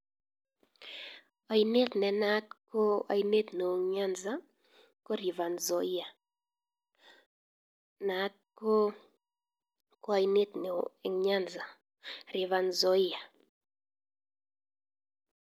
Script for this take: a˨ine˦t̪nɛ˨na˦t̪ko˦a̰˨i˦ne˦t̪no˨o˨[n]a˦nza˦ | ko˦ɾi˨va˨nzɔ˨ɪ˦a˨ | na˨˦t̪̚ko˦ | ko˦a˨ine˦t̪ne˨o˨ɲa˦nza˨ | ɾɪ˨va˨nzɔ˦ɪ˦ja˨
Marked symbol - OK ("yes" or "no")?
no